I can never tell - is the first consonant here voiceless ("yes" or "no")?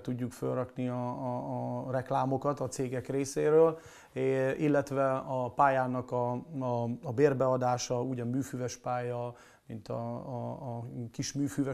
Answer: yes